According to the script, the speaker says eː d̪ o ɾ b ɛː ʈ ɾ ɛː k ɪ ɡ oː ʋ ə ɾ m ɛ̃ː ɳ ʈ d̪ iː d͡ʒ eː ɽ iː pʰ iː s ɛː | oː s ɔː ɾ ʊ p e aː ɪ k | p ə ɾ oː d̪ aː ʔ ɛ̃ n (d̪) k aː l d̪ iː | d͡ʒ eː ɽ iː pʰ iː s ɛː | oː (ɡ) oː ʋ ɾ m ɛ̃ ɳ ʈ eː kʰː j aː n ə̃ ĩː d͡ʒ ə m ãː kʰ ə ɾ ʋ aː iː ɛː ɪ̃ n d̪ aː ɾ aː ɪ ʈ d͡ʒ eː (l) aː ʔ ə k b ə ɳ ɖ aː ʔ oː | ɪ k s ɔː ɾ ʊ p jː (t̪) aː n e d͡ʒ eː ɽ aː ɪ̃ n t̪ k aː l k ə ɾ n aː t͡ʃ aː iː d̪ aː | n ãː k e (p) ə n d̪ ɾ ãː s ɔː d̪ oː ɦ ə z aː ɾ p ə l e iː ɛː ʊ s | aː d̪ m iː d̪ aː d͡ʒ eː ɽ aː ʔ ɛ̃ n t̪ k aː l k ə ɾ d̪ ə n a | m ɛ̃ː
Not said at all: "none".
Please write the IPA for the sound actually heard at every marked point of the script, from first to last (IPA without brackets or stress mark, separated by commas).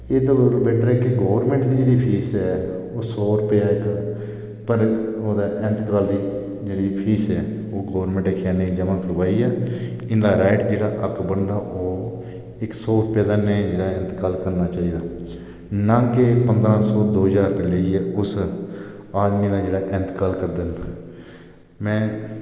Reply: t̪, ɡ, ɽ, d̪, p